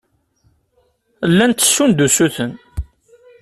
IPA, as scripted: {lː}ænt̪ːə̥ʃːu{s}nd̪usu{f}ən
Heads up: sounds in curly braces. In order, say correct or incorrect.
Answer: correct, incorrect, incorrect

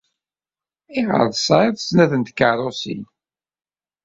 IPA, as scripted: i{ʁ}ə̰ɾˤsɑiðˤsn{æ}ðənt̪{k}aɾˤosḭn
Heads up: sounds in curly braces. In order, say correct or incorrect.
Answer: correct, correct, correct

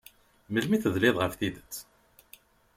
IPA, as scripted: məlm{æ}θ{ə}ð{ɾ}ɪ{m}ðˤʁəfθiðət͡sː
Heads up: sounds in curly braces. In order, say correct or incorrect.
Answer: incorrect, correct, incorrect, incorrect

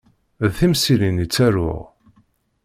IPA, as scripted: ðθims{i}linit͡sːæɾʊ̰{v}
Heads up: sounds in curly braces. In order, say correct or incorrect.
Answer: correct, incorrect

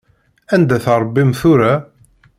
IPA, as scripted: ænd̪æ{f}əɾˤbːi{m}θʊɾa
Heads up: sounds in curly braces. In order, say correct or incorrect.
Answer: incorrect, correct

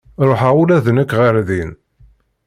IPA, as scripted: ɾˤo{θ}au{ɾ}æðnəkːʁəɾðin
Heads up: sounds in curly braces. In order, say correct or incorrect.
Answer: incorrect, incorrect

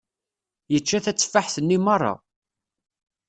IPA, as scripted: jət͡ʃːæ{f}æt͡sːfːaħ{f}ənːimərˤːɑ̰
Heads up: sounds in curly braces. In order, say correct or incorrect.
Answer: incorrect, incorrect

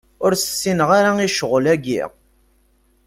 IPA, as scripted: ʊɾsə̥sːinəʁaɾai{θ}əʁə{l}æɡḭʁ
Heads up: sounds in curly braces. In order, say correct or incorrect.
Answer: incorrect, correct

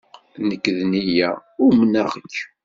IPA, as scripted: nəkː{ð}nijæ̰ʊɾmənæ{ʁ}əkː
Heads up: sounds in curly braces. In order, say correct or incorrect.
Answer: correct, correct

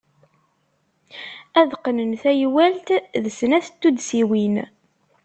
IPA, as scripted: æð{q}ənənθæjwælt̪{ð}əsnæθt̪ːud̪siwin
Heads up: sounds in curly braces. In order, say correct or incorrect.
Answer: correct, correct

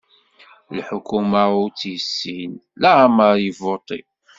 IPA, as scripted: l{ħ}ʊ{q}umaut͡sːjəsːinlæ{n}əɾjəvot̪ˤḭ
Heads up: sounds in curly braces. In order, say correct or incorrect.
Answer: correct, incorrect, incorrect

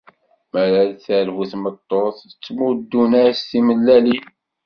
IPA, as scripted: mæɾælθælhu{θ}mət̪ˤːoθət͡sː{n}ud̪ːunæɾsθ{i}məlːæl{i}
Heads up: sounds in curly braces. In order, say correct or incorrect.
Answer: correct, incorrect, correct, correct

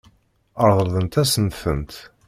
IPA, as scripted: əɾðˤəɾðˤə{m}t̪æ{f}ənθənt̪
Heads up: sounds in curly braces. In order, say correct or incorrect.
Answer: incorrect, incorrect

